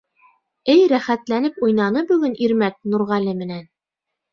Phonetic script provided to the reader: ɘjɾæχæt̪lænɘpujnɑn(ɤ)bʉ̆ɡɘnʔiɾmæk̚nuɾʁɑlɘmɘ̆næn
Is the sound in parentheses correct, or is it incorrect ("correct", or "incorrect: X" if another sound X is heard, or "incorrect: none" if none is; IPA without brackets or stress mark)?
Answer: correct